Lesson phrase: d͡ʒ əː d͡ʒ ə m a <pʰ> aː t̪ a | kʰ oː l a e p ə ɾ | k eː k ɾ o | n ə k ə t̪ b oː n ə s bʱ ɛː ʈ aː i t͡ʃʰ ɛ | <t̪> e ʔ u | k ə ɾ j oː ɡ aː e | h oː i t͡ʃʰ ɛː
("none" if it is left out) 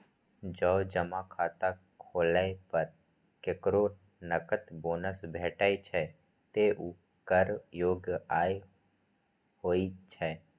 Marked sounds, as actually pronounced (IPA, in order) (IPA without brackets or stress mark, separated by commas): kʰ, t̪